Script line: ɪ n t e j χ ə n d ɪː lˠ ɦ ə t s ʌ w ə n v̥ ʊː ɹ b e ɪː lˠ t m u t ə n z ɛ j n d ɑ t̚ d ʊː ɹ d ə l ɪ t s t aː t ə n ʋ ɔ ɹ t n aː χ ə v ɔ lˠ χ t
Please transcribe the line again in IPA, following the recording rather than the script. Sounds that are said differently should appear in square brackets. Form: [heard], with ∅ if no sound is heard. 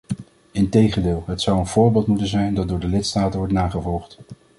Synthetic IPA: ɪ n t e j χ ə n d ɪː lˠ ɦ ə t s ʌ w ə n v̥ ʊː ɹ b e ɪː lˠ t m u t ə n z ɛ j n d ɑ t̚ d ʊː ɹ d ə l ɪ t s t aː t ə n ʋ ɔ ɹ t n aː χ ə v ɔ lˠ χ t

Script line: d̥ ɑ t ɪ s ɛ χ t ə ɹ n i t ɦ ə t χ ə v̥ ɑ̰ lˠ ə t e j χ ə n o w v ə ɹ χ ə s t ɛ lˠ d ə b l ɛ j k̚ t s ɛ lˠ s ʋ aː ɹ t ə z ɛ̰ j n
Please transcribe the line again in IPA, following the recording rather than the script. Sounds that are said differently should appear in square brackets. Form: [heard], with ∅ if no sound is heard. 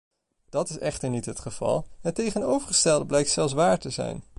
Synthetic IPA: d̥ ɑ t ɪ s ɛ χ t ə ɹ n i t ɦ ə t χ ə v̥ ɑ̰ lˠ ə t e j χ ə n o w v ə ɹ χ ə s t ɛ lˠ d ə b l ɛ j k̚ t s ɛ lˠ s ʋ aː ɹ t ə z ɛ̰ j n

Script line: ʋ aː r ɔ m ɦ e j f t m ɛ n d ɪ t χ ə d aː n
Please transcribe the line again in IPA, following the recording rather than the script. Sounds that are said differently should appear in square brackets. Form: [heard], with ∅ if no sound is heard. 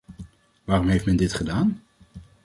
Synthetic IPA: ʋ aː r ɔ m ɦ e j f t m ɛ n d ɪ t χ ə d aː n

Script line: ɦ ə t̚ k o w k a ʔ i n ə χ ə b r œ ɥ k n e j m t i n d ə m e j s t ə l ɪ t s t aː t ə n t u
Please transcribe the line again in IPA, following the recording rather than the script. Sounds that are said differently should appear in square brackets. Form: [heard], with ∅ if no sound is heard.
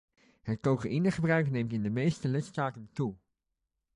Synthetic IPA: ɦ ə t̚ k o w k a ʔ i n ə χ ə b r œ ɥ k n e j m t [ɪ] n d ə m e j s t ə l ɪ t s t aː t ə n t u

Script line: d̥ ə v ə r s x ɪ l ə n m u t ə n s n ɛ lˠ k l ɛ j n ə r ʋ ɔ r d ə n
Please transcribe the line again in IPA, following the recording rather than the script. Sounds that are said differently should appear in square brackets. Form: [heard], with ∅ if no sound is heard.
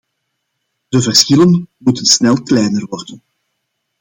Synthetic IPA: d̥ ə v ə r s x ɪ l ə n m u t ə n s n ɛ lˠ k l ɛ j n ə r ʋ ɔ r d ə n

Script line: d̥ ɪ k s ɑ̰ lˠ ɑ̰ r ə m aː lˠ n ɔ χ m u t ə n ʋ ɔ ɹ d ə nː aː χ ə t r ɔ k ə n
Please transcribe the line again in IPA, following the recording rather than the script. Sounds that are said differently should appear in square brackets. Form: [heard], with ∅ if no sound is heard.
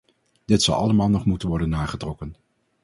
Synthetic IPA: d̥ ɪ [t] s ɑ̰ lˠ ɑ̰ [l] ə m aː lˠ n ɔ χ m u t ə n ʋ ɔ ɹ d ə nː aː χ ə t r ɔ k ə n

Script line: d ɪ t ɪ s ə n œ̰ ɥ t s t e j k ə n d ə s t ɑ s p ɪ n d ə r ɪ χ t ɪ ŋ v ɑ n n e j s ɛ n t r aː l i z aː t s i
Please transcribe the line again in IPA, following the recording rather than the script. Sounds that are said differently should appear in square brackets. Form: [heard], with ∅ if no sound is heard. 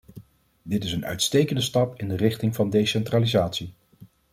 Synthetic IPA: d ɪ t ɪ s ə n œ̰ ɥ t s t e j k ə n d ə s t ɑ [∅] p ɪ n d ə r ɪ χ t ɪ ŋ v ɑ n [d] e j s ɛ n t r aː l i z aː t s i

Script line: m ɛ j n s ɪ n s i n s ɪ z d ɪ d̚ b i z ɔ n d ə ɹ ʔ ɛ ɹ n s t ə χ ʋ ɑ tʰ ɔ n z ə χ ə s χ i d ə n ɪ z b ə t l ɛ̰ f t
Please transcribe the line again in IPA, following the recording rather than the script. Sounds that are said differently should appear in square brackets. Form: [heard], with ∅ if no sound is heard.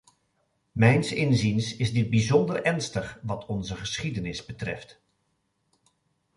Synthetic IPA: m ɛ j n s ɪ n [z] i n s ɪ z d ɪ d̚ b i z ɔ n d ə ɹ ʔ ɛ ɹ n s t ə χ ʋ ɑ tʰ ɔ n z ə χ ə s χ i d ə n ɪ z b ə t [r] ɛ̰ f t

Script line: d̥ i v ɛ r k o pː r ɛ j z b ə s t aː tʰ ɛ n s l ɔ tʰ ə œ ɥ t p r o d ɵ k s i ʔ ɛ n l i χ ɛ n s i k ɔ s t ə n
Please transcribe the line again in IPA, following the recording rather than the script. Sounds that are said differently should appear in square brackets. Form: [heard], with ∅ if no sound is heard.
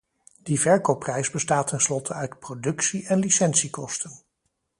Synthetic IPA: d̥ i v ɛ [ɹ] k o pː r ɛ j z b ə s t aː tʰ ɛ n s l ɔ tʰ ə œ ɥ t p r o d ɵ k s i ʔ ɛ n l i [s] ɛ n s i k ɔ s t ə n

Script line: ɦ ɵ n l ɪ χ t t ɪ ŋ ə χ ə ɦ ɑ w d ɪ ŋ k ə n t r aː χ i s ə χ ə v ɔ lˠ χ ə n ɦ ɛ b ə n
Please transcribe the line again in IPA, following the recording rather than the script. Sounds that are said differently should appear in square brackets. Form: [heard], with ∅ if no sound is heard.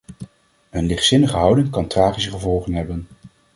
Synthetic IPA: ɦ ɵ n l ɪ χ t [s] ɪ [n] ə χ ə ɦ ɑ w d ɪ ŋ k [ɑ] n t r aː χ i s ə χ ə v ɔ lˠ χ ə n ɦ ɛ b ə n

